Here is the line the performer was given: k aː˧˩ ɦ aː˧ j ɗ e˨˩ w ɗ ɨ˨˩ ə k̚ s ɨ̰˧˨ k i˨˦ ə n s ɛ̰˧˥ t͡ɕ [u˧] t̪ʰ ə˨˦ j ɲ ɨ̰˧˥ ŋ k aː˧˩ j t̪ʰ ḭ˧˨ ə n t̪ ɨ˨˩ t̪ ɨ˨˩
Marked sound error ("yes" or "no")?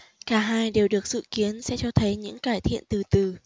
yes